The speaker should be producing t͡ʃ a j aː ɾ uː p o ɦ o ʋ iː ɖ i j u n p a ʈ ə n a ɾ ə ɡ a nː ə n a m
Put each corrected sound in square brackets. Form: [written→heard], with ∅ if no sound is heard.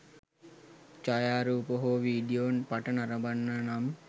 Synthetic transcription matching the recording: t͡ʃ a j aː ɾ uː p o ɦ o ʋ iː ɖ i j [u→o] n p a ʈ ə n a ɾ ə [ɡ→b] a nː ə n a m